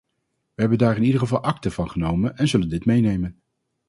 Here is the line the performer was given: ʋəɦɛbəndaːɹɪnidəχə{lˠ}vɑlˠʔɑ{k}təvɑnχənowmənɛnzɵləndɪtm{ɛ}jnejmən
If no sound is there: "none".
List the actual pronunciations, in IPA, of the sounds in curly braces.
none, k, e

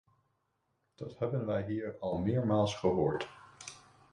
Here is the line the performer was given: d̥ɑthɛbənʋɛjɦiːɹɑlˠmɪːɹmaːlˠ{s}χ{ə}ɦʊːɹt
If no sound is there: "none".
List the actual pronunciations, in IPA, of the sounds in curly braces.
s, ə

